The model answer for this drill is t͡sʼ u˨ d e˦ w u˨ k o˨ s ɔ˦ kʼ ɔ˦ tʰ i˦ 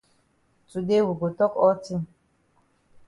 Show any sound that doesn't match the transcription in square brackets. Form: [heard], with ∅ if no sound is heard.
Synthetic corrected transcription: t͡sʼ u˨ d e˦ w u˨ [ɡ] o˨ [t] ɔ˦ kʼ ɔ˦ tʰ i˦

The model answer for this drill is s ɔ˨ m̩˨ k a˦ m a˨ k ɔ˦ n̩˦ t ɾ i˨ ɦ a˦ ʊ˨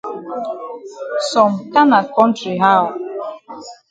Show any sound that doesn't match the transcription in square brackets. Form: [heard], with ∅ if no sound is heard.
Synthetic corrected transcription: s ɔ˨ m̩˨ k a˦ [n] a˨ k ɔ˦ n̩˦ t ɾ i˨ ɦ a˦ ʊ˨

